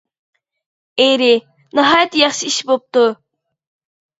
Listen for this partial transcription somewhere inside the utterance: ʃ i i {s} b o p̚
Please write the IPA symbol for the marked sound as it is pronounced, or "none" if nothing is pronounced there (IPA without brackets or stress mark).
ʃ